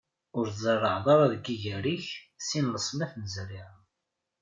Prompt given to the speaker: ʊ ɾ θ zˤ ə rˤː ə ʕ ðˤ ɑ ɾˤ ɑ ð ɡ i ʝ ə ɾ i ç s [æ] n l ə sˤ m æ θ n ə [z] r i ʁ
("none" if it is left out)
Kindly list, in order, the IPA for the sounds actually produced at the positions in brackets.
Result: i, z

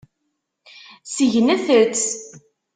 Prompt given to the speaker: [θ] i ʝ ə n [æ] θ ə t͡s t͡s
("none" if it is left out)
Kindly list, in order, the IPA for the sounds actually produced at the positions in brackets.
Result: s, æ

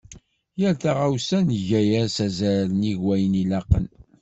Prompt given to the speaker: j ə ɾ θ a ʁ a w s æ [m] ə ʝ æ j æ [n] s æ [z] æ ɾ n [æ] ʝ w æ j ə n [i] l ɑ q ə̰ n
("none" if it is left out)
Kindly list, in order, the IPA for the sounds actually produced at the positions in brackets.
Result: n, none, z, i, i

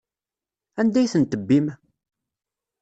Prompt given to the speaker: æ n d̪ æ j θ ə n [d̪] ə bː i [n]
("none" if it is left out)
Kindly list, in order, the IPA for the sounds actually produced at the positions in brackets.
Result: t̪, m

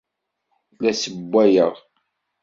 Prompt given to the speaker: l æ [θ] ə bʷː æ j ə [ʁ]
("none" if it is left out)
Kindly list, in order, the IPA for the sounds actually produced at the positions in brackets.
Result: s, ʁ

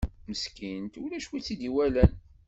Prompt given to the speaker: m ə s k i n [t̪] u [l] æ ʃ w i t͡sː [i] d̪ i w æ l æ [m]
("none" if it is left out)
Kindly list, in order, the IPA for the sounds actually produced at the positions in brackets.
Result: t̪, l, i, n

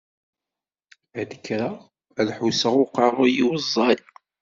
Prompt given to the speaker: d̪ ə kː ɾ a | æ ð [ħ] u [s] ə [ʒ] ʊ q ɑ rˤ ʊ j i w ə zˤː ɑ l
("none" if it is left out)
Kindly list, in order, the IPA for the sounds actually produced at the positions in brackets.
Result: ħ, s, ʁ

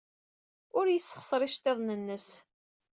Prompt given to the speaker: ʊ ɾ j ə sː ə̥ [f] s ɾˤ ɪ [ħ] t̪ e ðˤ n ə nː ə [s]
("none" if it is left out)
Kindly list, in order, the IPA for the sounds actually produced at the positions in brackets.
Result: χ, ʃ, s

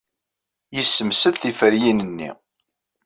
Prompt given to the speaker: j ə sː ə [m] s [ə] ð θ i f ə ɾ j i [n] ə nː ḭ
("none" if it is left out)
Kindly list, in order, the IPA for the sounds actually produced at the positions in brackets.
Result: m, ə, n

